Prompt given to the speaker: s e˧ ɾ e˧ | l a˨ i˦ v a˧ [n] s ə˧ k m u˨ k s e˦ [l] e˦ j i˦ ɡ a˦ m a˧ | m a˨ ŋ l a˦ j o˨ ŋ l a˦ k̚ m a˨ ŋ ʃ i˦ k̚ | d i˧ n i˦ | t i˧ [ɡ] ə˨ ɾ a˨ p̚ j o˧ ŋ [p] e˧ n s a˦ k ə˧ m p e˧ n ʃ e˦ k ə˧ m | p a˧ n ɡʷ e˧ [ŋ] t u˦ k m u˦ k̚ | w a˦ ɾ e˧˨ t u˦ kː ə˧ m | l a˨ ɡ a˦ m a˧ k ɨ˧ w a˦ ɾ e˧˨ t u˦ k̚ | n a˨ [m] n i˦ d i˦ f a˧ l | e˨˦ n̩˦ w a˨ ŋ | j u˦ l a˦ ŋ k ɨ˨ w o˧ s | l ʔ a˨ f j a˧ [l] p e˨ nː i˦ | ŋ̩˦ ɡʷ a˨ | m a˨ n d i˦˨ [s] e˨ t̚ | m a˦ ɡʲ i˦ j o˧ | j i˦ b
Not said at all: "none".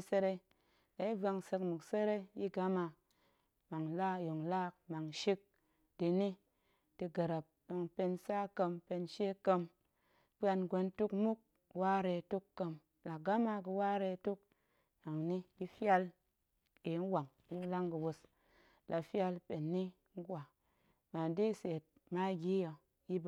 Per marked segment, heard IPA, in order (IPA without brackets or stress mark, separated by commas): ŋ, ɾ, ɡ, p, n, ŋ, l, s